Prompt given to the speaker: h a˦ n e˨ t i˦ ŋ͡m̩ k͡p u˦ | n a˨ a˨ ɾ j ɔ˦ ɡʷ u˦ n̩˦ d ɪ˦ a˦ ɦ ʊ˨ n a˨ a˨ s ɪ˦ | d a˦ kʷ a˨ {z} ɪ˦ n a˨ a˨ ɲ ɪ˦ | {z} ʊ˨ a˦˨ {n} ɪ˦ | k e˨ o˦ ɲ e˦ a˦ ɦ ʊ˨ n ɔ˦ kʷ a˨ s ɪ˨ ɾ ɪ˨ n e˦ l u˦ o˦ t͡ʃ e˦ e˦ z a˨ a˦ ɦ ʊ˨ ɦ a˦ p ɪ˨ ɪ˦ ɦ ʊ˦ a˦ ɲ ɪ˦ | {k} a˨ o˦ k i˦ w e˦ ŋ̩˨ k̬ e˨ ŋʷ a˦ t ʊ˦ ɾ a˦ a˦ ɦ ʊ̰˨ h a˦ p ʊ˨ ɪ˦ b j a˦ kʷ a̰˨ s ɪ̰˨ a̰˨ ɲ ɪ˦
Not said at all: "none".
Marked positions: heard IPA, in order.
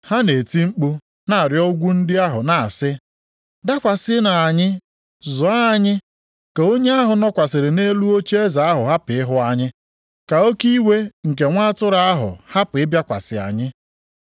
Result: s, z, ɲ, k

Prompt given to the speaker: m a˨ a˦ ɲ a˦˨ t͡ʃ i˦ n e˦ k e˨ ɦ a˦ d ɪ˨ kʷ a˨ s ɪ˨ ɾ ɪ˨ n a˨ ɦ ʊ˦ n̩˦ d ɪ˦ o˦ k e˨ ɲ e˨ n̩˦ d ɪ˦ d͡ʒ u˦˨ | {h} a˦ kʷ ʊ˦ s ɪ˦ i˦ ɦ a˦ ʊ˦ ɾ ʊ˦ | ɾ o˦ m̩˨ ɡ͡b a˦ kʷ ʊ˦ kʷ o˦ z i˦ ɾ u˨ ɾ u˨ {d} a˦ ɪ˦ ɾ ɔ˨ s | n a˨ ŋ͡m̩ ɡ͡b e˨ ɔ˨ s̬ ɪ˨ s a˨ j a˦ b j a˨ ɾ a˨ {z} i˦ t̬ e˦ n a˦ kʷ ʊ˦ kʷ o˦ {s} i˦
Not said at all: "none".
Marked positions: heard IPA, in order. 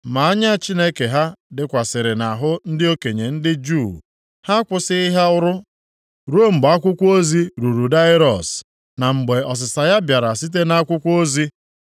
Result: h, d, s, z

